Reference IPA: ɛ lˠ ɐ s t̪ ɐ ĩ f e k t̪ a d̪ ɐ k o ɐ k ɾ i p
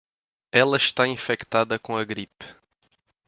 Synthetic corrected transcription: ɛ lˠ ɐ ʃ t̪ a ĩ f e k t̪ a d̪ ɐ k õ ɐ ɡ ɾ i p